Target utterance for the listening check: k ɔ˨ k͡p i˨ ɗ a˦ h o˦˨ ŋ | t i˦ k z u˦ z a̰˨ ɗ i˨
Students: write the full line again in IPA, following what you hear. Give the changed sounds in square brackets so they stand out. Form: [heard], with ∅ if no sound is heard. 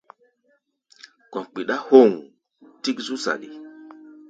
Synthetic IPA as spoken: k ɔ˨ k͡p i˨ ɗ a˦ h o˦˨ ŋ | t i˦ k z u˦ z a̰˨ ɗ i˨